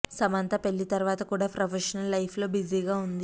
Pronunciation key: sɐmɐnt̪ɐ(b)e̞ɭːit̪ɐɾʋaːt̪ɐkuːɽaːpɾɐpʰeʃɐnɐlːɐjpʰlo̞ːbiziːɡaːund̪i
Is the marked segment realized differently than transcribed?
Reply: yes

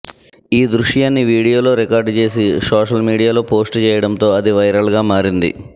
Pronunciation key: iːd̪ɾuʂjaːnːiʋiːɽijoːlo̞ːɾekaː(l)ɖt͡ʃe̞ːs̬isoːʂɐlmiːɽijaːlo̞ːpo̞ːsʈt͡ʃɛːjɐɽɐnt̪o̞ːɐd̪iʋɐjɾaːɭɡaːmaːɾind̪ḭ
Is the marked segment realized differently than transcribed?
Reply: yes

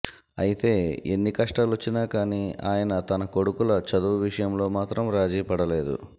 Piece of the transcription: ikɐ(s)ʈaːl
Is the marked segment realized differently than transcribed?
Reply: yes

